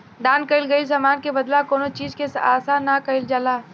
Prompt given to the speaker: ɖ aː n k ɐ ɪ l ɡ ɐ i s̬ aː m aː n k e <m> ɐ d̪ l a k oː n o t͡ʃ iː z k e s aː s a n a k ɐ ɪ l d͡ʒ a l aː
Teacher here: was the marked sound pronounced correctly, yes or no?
no